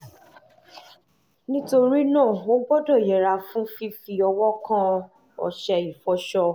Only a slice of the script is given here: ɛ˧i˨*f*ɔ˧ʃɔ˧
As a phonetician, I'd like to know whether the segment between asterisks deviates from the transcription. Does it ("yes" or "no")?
no